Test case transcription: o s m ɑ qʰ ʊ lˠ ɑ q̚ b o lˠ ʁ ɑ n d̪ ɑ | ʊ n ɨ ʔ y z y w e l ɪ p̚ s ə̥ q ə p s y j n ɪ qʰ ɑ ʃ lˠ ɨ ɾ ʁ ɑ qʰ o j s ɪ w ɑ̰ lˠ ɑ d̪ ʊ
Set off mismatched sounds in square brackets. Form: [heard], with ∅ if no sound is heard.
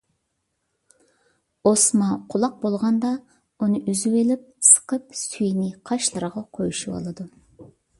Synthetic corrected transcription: o s m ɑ qʰ ʊ lˠ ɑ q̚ b o lˠ ʁ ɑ n d̪ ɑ | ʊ n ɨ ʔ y z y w e l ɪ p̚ s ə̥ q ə p s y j n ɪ qʰ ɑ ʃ lˠ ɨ ɾ ʁ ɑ qʰ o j [ʃ] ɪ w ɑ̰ lˠ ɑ d̪ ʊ